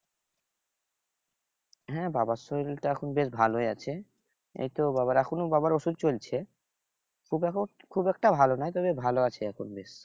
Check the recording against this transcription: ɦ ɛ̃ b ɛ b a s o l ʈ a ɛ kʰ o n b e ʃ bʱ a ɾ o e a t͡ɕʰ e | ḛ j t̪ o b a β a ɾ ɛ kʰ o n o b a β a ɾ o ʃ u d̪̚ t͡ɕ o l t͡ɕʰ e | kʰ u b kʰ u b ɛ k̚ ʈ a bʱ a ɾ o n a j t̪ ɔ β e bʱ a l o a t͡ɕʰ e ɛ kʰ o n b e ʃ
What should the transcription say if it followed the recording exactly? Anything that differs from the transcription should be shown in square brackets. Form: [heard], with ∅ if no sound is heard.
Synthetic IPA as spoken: ɦ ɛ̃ b [a] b a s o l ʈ a ɛ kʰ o n b e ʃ bʱ a [l] o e a t͡ɕʰ e | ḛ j t̪ o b a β a ɾ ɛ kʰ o n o b a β a ɾ o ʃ u d̪̚ t͡ɕ o l t͡ɕʰ e | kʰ u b kʰ u b ɛ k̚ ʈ a bʱ a [l] o n a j t̪ ɔ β e bʱ a l o a t͡ɕʰ e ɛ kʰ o n b e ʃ